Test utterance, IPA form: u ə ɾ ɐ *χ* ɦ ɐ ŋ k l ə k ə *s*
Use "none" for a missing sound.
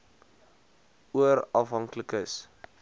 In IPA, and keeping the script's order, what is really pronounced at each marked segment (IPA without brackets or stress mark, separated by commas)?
f, s